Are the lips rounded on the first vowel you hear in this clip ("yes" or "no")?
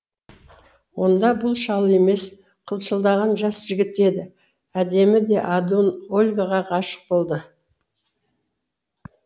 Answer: yes